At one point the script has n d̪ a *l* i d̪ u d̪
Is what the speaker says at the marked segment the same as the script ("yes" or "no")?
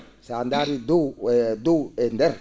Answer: no